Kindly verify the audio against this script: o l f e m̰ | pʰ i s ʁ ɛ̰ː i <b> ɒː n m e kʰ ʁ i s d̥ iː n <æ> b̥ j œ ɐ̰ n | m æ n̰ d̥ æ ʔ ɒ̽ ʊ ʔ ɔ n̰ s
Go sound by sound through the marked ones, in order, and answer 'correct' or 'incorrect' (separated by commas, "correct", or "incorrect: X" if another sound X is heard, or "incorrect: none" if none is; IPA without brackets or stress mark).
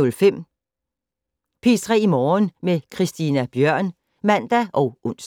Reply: incorrect: m, correct